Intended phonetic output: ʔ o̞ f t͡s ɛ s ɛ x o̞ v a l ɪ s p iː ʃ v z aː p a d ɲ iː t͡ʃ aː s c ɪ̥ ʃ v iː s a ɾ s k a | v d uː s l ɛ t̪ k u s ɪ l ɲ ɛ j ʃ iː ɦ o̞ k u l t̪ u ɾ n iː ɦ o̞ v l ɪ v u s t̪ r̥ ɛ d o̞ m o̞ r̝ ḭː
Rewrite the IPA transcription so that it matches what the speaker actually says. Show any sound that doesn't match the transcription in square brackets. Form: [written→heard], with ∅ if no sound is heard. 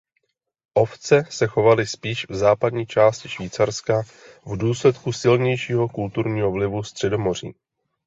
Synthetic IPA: ʔ o̞ f t͡s ɛ s ɛ x o̞ v a l ɪ s p iː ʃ v z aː p a d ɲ iː t͡ʃ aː s c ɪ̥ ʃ v iː [s→t͡s] a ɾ s k a | v d uː s l ɛ t̪ k u s ɪ l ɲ ɛ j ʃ iː ɦ o̞ k u l t̪ u ɾ [n→ɲ] iː ɦ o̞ v l ɪ v u s t̪ r̥ ɛ d o̞ m o̞ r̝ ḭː